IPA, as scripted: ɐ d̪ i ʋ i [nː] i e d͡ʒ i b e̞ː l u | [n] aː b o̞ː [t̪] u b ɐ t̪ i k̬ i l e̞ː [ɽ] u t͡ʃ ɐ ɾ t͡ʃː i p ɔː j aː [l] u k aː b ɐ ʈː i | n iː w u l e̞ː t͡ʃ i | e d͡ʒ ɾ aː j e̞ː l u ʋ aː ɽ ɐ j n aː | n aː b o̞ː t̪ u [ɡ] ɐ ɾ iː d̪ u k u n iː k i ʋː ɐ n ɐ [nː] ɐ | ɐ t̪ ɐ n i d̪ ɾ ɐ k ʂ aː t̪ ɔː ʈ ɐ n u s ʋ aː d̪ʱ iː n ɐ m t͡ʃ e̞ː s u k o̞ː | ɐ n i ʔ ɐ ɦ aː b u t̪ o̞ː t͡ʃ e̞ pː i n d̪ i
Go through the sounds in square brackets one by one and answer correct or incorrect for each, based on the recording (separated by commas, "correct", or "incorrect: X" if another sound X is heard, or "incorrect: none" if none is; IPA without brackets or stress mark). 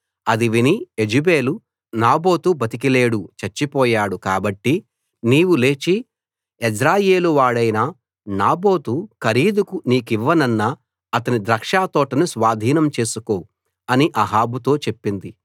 incorrect: n, correct, correct, correct, incorrect: ɽ, incorrect: k, correct